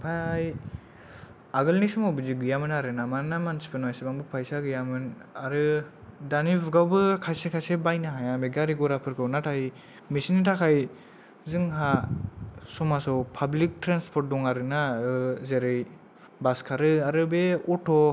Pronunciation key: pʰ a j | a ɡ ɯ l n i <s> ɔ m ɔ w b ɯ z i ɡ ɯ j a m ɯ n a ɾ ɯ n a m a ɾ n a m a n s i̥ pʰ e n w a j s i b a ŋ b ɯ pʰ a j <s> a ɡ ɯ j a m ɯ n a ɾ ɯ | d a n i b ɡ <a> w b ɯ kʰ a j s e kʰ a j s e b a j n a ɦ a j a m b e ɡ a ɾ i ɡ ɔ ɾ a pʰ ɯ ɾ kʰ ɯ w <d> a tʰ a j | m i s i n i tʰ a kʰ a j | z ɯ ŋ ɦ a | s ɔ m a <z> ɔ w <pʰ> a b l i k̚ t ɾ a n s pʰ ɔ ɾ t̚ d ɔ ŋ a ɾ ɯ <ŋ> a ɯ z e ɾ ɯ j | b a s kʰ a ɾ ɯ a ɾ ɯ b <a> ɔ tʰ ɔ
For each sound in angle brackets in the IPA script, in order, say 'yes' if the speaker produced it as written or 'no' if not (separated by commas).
yes, yes, yes, no, no, yes, no, no